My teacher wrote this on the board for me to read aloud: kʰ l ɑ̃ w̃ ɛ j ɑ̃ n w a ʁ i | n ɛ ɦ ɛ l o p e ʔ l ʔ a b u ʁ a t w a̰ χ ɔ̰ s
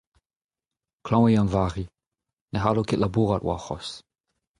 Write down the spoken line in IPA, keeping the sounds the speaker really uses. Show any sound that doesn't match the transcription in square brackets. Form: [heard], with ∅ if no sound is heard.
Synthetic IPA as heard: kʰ l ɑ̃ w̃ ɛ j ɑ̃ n [v] a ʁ i | n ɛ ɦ [a] l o [k] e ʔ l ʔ a b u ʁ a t w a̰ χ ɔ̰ s

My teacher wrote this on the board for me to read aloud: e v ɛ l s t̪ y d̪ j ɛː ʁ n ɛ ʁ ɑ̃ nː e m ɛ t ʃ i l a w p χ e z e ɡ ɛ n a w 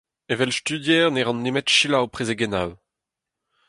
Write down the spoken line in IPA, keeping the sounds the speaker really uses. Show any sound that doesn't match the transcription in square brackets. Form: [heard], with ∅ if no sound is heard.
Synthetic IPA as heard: e v ɛ l s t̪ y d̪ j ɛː ʁ n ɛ ʁ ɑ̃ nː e m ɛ t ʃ i l a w p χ e z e ɡ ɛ n a w

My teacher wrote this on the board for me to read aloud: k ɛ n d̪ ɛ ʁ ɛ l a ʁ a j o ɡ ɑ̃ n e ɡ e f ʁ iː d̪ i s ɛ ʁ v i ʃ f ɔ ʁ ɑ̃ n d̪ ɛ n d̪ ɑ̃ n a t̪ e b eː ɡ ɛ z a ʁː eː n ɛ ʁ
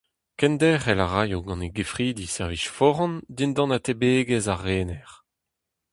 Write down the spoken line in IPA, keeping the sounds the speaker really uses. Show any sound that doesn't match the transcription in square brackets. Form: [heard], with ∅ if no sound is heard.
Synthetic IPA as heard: k ɛ n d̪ ɛ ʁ ɛ l a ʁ a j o ɡ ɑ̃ n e ɡ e f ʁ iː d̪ i s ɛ ʁ v i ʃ f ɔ ʁ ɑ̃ n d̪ [i] n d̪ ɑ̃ n a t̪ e b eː ɡ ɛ z a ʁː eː n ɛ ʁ

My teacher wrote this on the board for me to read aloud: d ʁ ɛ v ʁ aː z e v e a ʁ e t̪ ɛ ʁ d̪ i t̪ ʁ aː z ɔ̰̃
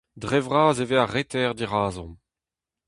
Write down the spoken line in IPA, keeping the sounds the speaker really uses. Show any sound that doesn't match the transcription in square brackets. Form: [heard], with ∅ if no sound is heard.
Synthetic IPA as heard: d ʁ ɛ v ʁ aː z e v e a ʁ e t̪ ɛ ʁ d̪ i [∅] ʁ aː z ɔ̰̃

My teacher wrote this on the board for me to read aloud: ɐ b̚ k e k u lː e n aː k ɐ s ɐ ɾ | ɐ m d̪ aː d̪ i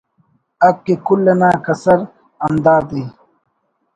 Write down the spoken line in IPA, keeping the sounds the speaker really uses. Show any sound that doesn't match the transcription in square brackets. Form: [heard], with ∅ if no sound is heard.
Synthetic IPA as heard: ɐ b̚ k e k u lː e n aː k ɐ s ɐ ɾ | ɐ m d̪ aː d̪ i

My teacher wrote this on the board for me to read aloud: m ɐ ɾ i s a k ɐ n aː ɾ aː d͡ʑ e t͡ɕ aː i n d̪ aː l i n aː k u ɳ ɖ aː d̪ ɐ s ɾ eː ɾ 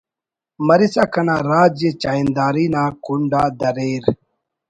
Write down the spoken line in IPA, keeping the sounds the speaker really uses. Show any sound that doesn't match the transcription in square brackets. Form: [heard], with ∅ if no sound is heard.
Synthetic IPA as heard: m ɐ ɾ i s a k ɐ n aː ɾ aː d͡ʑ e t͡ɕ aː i n d̪ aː [ɾ] i n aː k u ɳ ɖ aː d̪ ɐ [∅] ɾ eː ɾ

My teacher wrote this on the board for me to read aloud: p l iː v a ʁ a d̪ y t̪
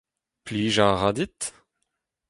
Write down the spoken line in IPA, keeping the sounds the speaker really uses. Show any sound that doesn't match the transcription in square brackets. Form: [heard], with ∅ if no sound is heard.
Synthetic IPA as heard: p l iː [ʒ] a ʁ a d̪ [i] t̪

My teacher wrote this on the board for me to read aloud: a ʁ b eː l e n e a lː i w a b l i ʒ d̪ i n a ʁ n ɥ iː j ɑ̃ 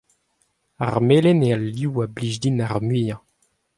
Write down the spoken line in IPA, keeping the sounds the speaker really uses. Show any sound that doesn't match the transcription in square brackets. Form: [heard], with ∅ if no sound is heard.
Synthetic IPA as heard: a ʁ [m] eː l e n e a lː i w a b l i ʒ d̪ i n a ʁ [m] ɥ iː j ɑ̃

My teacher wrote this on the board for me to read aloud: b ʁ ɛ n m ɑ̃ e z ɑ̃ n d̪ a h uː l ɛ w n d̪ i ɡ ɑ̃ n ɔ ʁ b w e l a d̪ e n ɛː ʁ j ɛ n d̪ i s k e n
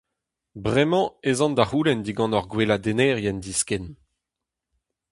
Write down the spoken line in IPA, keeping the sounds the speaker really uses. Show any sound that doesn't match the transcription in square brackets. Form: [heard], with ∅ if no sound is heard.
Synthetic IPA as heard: b ʁ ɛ [∅] m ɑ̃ e z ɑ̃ n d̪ a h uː l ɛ [∅] n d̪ i ɡ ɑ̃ n ɔ ʁ [ɡ] w e l a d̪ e n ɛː ʁ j ɛ n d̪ i s k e n

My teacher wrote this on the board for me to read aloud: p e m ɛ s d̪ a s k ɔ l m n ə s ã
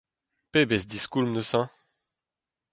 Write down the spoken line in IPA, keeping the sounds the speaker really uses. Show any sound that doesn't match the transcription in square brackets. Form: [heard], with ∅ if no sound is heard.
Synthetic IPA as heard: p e [b] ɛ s d̪ [i] s k [u] l m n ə s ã

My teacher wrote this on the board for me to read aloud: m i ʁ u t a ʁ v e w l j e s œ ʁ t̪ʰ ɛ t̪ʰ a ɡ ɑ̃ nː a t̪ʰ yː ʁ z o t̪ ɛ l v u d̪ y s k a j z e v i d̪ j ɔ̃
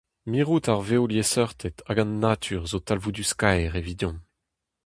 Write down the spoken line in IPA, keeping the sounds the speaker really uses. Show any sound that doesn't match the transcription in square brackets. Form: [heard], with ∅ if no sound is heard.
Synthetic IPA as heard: m i ʁ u t a ʁ v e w l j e s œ ʁ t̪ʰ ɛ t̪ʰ a ɡ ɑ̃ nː a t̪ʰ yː ʁ z o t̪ [a] l v u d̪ y s k a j [ʁ] e v i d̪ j ɔ̃

